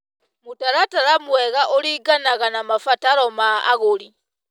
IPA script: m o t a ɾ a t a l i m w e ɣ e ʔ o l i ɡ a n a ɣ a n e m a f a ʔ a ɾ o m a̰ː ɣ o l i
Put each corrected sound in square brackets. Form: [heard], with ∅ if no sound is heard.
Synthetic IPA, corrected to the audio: m [u] t a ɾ a t a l [a] m w e ɣ [a] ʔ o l i ɡ a n a ɣ a n [a] m a f a [t] a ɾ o m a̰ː ɣ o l i